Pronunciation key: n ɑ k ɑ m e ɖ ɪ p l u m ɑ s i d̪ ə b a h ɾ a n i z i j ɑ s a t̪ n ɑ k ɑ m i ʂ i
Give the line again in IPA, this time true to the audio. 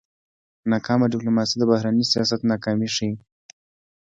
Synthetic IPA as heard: n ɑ k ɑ m a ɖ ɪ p l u m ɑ s i d̪ ə b a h ɾ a n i s i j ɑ s a t̪ n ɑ k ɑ m i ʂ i